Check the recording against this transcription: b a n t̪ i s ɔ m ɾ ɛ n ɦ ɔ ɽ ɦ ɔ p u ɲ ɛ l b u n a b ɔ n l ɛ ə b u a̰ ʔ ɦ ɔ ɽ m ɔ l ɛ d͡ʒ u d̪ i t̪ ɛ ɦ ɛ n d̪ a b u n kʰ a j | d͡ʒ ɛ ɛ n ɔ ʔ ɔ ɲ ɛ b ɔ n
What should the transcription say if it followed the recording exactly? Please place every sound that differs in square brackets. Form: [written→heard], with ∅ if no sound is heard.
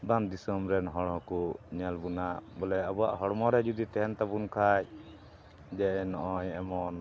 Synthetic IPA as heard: b a n [t̪→d̪] i s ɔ m ɾ ɛ n ɦ ɔ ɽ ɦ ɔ [p→k] u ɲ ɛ l b u n a b ɔ [n→∅] l ɛ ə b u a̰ ʔ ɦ ɔ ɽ m ɔ [l→ɾ] ɛ d͡ʒ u d̪ i t̪ ɛ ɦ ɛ n [d̪→t̪] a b u n kʰ a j | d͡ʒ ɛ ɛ n ɔ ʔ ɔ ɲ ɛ [b→m] ɔ n